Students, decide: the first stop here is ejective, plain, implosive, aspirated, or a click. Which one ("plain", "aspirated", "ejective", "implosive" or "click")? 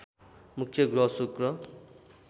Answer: aspirated